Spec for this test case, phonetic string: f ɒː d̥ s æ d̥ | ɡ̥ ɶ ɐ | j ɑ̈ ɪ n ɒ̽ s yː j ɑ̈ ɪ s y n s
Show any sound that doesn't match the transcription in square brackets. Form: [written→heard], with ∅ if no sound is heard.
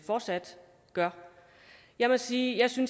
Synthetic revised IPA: f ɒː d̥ s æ d̥ | ɡ̥ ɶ ɐ | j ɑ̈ ɪ [n→m] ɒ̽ s [yː→iː] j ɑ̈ ɪ s y n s